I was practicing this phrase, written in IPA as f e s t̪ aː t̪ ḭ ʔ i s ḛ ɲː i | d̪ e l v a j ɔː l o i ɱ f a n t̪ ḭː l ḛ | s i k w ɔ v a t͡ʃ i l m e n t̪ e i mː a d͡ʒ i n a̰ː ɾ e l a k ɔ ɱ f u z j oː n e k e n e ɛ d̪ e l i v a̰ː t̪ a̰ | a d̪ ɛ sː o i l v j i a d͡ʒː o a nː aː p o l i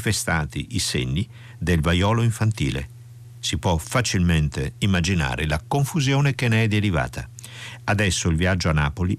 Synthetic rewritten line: f e s t̪ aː t̪ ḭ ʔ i s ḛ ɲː i | d̪ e l v a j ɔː l o i ɱ f a n t̪ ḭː l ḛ | s i p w ɔ f a t͡ʃ i l m e n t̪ e i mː a d͡ʒ i n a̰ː ɾ e l a k o ɱ f u z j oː n e k e n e ɛ d̪ e ɾ i v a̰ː t̪ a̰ | a d̪ ɛ sː o i l v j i a d͡ʒː o a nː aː p o l i